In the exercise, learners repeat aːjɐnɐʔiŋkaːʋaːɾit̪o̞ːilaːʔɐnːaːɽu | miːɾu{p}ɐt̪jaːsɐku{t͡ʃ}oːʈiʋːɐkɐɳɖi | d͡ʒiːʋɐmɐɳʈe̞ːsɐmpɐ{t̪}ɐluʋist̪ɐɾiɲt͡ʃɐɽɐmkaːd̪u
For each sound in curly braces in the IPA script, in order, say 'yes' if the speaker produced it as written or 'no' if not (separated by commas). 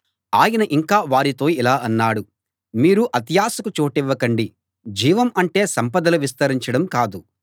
no, yes, no